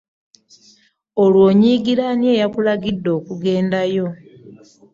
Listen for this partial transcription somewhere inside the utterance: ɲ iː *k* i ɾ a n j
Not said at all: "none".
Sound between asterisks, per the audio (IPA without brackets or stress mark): ɡ